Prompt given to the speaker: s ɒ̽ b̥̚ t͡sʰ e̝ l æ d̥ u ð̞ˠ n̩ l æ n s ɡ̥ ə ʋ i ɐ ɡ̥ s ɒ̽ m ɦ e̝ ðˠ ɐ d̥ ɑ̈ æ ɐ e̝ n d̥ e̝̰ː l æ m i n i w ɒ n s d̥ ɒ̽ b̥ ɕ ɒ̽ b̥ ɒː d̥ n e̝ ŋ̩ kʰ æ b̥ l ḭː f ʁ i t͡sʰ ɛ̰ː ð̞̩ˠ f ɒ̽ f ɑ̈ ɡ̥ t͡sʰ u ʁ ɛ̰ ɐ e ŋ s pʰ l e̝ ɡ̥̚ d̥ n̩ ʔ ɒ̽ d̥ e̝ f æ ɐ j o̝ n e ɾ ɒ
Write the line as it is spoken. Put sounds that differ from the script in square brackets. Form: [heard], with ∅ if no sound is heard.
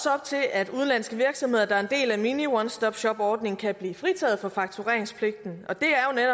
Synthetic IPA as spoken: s ɒ̽ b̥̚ t͡sʰ e̝ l æ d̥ u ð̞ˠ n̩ l æ n s ɡ̥ ə ʋ i ɐ ɡ̥ s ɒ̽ m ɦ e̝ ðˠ ɐ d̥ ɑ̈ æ ɐ e̝ n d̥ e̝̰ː l æ m i n i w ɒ n s d̥ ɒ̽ b̥ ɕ ɒ̽ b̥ ɒː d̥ n e̝ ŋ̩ kʰ æ b̥ l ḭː f ʁ i t͡sʰ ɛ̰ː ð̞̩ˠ f ɒ̽ f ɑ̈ ɡ̥ t͡sʰ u ʁ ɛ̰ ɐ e ŋ s pʰ l e̝ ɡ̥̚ d̥ n̩ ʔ ɒ̽ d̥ e̝ [∅] æ ɐ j o̝ n e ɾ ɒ